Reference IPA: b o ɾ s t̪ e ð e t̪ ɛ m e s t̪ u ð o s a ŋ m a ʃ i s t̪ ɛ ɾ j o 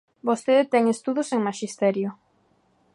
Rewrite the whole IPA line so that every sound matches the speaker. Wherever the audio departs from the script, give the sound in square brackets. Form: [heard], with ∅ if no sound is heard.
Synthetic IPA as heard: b o [∅] s t̪ e ð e t̪ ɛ [ŋ] e s t̪ u ð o s [e] ŋ m a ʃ i s t̪ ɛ ɾ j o